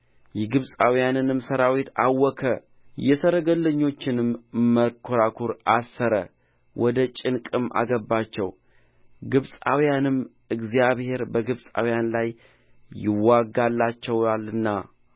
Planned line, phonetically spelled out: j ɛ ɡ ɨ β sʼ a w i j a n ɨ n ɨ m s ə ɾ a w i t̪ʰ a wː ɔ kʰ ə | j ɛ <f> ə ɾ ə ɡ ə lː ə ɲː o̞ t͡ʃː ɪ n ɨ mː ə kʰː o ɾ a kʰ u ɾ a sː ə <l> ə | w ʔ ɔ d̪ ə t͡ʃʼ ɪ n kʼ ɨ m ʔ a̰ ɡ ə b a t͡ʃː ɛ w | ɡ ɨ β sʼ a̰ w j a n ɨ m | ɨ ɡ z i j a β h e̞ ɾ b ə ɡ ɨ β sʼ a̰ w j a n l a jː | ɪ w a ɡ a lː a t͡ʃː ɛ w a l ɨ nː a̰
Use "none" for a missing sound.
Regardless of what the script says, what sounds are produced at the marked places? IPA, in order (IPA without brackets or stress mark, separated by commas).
s, ɾ